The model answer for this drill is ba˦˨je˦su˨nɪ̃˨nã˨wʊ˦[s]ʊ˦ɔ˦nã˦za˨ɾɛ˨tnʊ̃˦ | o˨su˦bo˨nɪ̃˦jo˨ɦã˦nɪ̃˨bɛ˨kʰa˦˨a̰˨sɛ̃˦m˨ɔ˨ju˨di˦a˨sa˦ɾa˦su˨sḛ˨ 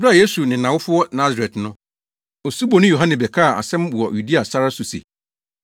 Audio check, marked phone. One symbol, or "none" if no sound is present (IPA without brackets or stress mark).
f